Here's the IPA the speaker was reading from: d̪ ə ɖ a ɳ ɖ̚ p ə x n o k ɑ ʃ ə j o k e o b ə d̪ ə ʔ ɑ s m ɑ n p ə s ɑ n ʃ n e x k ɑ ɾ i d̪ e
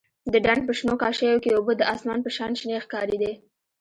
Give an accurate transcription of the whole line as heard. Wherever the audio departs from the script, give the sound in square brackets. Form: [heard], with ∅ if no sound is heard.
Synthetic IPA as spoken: d̪ ə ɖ a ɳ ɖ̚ p ə [ʃ] n o k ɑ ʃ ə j o k e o b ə d̪ ə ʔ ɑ s m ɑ n p ə [ʃ] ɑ n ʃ n e x k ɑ ɾ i d̪ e